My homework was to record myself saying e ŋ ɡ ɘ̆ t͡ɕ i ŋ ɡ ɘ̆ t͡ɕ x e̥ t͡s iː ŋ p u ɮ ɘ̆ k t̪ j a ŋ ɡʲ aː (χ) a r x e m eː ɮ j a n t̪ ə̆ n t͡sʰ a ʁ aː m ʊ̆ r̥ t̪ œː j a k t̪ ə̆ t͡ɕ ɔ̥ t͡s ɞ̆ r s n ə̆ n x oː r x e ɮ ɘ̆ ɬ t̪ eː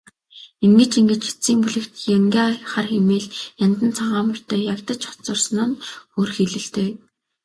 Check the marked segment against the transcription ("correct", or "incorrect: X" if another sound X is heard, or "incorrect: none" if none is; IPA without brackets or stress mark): correct